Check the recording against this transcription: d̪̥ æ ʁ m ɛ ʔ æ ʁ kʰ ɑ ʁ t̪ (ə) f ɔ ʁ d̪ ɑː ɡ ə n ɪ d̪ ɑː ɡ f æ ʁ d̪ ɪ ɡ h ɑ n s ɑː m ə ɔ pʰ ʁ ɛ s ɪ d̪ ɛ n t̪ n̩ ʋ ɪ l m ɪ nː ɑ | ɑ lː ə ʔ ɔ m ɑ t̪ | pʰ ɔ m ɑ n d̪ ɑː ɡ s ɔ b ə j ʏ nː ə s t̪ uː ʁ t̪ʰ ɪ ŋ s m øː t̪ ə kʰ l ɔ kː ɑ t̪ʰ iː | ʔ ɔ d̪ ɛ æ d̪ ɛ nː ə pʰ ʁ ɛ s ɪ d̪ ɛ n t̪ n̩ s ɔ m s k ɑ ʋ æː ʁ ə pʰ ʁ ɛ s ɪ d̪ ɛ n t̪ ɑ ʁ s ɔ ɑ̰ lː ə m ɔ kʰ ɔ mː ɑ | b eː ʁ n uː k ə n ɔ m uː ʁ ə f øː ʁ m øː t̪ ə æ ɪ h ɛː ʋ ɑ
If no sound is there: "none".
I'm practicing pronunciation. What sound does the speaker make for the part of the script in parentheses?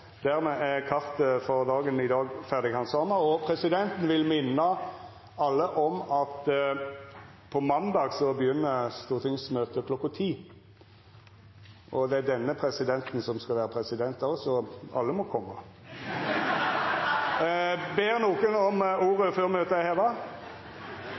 ə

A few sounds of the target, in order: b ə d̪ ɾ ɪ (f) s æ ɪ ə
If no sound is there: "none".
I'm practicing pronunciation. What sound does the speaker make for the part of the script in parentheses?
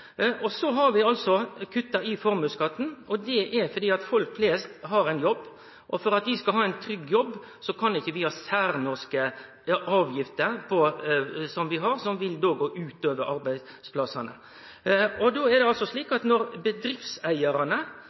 f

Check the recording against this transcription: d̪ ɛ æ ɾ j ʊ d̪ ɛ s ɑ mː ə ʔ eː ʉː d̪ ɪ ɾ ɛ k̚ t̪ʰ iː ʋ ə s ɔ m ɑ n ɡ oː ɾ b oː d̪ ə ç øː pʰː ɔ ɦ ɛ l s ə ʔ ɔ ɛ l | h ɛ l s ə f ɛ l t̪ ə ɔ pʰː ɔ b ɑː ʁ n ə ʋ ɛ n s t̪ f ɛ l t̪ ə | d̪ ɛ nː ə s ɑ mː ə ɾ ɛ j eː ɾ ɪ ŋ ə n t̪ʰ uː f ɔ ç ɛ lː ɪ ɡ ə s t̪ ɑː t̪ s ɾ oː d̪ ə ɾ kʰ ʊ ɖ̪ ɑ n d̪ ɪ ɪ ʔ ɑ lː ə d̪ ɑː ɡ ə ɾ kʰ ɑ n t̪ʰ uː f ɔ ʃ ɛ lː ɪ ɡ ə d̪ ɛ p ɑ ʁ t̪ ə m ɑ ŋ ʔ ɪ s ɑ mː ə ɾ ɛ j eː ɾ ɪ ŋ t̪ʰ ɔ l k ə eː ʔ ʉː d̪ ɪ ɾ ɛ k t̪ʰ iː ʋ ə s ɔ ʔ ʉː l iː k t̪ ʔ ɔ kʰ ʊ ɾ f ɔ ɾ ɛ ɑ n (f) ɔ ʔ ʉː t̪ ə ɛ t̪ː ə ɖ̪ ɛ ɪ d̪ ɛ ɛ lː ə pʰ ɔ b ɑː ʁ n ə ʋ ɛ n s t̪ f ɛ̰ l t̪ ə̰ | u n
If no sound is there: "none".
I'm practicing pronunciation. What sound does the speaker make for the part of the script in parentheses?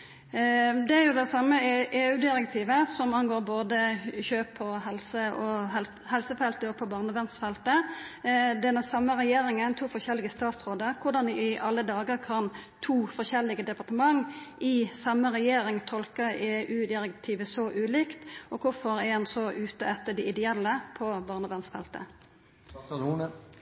s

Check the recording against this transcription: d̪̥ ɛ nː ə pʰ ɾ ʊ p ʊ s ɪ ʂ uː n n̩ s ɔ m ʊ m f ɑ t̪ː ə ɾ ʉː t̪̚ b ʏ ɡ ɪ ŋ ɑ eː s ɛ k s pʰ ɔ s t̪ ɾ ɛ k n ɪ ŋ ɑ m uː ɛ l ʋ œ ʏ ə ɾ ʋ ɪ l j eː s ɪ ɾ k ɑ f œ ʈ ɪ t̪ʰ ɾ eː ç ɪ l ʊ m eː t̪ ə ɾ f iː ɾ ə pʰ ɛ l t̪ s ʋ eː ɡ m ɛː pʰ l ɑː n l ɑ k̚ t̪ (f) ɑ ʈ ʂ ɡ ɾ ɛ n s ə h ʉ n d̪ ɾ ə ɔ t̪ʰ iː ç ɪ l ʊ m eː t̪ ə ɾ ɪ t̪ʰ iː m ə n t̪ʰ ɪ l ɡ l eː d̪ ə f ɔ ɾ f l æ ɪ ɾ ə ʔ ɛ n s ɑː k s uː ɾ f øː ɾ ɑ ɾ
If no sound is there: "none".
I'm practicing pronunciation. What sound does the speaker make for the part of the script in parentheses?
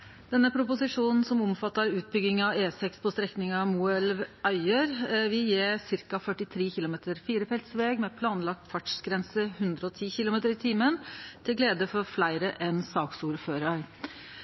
f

